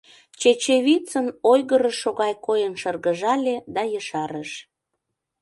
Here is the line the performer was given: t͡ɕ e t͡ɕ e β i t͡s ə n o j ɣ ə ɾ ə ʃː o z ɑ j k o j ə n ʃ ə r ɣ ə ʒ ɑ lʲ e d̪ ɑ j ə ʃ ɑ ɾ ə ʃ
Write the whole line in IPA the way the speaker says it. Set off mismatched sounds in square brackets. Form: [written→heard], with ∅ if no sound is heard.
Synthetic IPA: t͡ɕ e t͡ɕ e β i t͡s ə n o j ɣ ə ɾ ə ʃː o [z→ɣ] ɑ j k o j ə n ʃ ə r ɣ ə ʒ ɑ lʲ e d̪ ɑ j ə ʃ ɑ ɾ ə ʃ